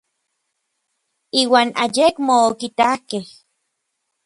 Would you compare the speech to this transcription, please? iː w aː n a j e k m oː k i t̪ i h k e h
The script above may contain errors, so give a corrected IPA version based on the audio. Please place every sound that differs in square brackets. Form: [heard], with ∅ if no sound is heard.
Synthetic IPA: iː w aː n a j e k m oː k i t̪ [a] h k e h